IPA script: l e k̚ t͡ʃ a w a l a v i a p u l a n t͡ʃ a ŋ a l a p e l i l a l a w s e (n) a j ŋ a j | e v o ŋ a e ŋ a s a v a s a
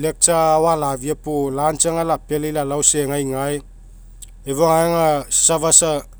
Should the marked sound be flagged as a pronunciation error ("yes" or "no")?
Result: yes